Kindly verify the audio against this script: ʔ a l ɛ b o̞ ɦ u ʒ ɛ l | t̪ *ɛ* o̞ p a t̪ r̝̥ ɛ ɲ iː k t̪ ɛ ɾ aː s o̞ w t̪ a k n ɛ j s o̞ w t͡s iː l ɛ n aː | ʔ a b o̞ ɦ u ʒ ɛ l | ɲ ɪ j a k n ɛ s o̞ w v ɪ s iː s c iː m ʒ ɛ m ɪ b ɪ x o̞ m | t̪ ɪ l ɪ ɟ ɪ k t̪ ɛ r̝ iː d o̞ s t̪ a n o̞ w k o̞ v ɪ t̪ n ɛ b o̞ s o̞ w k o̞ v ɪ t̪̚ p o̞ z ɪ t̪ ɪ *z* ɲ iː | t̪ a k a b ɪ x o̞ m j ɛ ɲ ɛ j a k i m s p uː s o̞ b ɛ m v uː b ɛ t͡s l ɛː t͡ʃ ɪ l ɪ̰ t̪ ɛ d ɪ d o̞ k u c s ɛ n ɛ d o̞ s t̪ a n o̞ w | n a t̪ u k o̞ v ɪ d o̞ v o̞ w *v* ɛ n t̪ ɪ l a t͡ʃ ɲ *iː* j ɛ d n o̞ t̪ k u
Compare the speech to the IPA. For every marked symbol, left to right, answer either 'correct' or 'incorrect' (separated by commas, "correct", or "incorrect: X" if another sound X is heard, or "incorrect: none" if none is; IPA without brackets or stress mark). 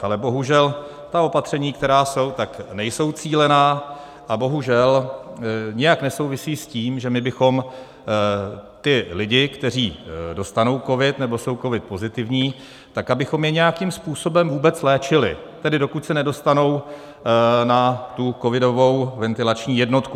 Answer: incorrect: a, incorrect: v, correct, correct